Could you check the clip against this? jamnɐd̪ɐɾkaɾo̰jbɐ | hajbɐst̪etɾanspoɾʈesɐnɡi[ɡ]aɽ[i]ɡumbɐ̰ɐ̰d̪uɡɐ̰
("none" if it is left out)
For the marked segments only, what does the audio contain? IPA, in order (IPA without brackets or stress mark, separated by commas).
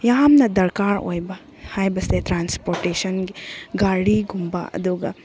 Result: ɡ, i